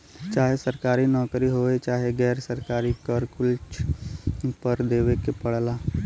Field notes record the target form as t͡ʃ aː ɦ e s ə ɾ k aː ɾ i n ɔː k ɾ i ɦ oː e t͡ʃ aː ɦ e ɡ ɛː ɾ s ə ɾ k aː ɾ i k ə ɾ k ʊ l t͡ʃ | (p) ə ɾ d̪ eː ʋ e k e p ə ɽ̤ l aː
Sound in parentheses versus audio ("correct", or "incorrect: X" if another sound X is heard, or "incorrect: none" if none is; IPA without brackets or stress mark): correct